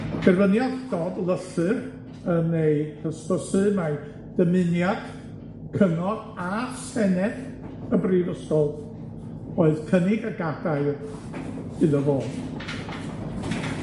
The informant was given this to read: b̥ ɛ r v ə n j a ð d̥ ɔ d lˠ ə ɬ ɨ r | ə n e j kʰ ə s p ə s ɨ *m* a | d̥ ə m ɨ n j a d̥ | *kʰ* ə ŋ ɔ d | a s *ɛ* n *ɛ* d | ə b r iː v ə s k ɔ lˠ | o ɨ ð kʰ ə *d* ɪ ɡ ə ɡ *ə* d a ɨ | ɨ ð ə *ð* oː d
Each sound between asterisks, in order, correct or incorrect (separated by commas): correct, correct, correct, correct, incorrect, incorrect, incorrect